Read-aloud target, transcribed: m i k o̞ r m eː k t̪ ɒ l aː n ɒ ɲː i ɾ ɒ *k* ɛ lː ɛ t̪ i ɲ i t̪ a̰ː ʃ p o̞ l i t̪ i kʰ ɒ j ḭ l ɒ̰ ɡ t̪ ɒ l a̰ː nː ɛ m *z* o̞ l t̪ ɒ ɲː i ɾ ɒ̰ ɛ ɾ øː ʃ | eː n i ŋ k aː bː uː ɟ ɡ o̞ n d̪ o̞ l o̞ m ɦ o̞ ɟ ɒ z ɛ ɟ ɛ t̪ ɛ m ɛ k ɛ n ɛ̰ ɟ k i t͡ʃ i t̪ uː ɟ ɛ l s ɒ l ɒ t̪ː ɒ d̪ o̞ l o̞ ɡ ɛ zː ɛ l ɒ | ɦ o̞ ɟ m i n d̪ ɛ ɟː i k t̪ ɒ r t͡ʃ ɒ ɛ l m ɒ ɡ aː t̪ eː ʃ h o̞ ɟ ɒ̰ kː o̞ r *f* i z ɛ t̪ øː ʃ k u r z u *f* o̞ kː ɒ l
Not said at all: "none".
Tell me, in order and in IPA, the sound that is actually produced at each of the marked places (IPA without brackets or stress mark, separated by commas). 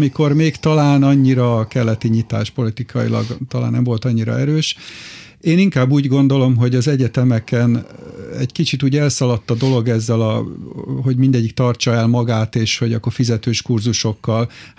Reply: k, v, f, ʃ